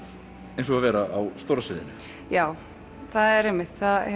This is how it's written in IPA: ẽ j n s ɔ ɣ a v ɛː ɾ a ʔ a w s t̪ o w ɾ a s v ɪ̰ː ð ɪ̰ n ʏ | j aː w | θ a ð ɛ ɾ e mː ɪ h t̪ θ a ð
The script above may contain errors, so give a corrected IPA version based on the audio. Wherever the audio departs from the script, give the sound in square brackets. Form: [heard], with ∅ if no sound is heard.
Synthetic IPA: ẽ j n s ɔ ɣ a v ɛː ɾ a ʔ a w s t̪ o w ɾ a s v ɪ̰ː ð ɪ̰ n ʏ | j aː w | θ a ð ɛ ɾ e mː ɪ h t̪ θ a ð